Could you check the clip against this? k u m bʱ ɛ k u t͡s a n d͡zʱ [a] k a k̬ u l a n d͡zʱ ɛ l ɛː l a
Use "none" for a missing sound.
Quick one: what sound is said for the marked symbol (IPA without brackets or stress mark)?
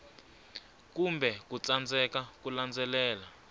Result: ɛ